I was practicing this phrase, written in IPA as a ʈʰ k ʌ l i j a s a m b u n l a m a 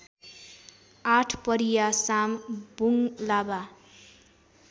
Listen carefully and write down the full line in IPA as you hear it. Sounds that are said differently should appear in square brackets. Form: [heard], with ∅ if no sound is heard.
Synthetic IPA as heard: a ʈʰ [p] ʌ [ɾ] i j a s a m b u [ŋ] l a [b] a

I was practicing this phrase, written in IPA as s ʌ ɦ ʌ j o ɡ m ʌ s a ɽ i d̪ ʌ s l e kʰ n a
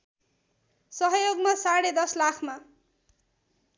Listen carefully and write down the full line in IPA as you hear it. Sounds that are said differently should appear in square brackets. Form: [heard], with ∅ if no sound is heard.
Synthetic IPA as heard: s ʌ ɦ ʌ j o ɡ m [a] s a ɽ [e] d̪ ʌ s l [a] kʰ [m] a

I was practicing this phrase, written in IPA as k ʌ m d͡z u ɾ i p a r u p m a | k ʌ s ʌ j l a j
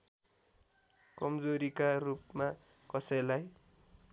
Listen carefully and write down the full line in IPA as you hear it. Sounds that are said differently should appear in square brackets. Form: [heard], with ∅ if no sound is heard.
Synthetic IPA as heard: k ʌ m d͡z [o] ɾ i [k] a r u p m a | k ʌ s ʌ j l a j

